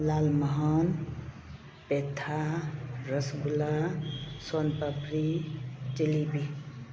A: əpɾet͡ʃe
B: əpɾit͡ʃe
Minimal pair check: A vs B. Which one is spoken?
B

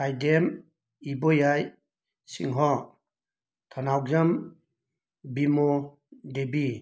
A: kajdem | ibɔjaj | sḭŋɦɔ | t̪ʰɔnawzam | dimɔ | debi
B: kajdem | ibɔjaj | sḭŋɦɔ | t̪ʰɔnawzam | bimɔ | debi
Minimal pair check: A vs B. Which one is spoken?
B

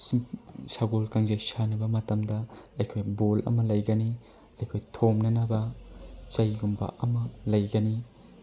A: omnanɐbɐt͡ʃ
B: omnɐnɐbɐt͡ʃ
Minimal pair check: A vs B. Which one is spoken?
B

